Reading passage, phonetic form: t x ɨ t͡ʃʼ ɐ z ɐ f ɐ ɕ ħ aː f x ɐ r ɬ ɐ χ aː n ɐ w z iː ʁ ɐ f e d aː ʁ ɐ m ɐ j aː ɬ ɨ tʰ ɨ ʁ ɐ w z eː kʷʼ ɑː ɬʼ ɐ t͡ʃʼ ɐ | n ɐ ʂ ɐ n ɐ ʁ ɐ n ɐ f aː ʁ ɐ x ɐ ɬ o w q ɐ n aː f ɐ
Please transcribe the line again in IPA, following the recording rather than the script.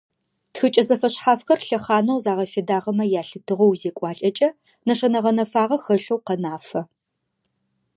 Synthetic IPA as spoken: t x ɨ t͡ʃʼ ɐ z ɐ f ɐ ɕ ħ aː f x ɐ r ɬ ɐ χ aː n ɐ w z aː ʁ ɐ f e d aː ʁ ɐ m ɐ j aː ɬ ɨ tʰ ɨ ʁ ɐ w z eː kʷʼ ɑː ɬʼ ɐ t͡ʃʼ ɐ | n ɐ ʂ ɐ n ɐ ʁ ɐ n ɐ f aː ʁ ɐ x ɐ ɬ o w q ɐ n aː f ɐ

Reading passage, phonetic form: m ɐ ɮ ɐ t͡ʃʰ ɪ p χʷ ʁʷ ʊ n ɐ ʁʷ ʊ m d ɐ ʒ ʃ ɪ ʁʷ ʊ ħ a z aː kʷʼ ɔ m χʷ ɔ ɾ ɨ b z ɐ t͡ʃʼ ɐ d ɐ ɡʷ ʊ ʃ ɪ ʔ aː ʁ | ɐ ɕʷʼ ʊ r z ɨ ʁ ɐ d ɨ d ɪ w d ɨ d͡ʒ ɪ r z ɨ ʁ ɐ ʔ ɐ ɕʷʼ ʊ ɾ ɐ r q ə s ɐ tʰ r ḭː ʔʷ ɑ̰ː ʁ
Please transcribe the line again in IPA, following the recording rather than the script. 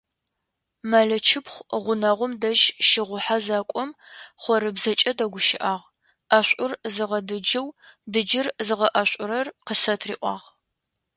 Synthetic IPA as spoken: m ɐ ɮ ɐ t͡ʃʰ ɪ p χʷ ʁʷ ʊ n ɐ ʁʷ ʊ m d ɐ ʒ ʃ ɪ ʁʷ ʊ ħ a z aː kʷʼ ɔ m χʷ ɔ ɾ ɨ b z ɐ t͡ʃʼ ɐ d ɐ ɡʷ ʊ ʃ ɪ ʔ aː ʁ | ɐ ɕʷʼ ʊ r z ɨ ʁ ɐ d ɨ d͡ʒ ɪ w d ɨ d͡ʒ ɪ r z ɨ ʁ ɐ ʔ ɐ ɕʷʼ ʊ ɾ ɐ r q ə s ɐ tʰ r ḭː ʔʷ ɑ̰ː ʁ

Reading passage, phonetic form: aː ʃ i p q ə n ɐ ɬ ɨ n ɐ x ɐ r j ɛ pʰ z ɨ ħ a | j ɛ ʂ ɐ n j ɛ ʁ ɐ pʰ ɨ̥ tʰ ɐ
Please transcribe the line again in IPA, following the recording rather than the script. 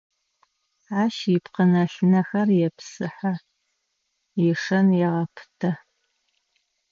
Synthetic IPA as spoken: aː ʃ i p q ə n ɐ ɬ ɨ n ɐ x ɐ r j ɛ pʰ s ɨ ħ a | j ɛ ʂ ɐ n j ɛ ʁ ɐ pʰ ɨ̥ tʰ ɐ

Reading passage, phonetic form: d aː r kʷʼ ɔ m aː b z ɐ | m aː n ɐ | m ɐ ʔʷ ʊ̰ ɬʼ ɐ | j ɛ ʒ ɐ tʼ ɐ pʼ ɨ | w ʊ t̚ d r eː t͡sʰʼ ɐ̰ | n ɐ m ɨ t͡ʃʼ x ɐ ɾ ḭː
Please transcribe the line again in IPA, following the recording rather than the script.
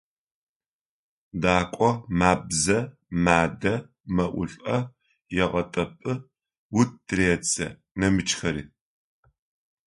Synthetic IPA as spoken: d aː kʷʼ ɔ m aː b z ɐ | m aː d ɐ | m ɐ ʔʷ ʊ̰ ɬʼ ɐ | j ɛ ʁ ɐ tʼ ɐ pʼ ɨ | w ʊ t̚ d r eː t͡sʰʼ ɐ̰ | n ɐ m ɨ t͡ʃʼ x ɐ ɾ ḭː

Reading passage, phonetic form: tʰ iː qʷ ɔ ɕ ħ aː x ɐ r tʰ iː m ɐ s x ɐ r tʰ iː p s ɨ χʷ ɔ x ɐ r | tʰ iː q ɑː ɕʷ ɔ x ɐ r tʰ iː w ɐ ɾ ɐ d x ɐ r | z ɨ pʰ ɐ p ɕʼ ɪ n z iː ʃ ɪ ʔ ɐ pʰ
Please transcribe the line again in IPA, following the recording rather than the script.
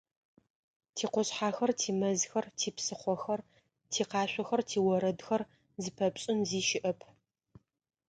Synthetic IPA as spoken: tʰ iː qʷ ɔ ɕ ħ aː x ɐ r tʰ iː m ɐ z x ɐ r tʰ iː p s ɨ χʷ ɔ x ɐ r | tʰ iː q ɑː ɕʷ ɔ x ɐ r tʰ iː w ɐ ɾ ɐ d x ɐ r | z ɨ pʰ ɐ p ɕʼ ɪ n z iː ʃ ɪ ʔ ɐ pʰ

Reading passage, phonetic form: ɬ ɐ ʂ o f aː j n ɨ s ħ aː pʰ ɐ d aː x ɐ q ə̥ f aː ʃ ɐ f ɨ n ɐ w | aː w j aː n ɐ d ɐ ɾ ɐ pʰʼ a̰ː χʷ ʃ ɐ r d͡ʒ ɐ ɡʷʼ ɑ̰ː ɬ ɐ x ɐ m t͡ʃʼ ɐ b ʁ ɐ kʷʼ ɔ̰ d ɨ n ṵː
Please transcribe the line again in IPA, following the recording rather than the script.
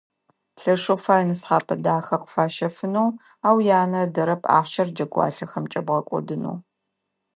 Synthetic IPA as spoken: ɬ ɐ ʂ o f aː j n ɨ s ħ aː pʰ ɐ d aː x ɐ q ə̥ f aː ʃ ɐ f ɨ n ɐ w | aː w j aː n ɐ d ɐ ɾ ɐ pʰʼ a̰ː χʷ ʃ ɐ r d͡ʒ ɐ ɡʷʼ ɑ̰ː ɬ ɐ x ɐ m t͡ʃʼ ɐ b ʁ ɐ kʷʼ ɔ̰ d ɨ n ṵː

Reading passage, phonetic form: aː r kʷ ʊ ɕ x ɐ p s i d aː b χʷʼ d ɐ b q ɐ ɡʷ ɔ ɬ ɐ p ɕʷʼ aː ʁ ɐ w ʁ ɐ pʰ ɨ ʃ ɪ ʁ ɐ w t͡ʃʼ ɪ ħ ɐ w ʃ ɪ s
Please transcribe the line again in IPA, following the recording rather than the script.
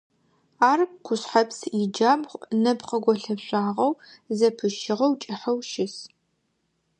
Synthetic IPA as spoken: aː r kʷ ʊ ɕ ħ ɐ p s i d͡ʒ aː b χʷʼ n ɐ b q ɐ ɡʷ ɔ ɬ ɐ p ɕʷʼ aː ʁ ɐ w z ɐ pʰ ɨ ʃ ɪ ʁ ɐ w t͡ʃʼ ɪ ħ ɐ w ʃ ɪ s

